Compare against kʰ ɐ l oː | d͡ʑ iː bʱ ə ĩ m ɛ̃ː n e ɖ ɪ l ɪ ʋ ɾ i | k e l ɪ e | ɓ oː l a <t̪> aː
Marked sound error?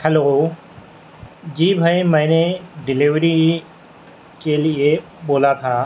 yes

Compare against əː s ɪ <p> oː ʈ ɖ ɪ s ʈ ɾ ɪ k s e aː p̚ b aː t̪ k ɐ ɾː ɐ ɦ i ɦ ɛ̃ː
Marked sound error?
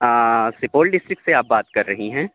no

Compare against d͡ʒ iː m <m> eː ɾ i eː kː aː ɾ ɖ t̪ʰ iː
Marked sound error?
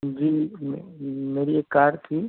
no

